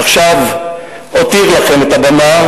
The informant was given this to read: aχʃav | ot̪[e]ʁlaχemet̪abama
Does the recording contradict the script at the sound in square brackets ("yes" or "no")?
yes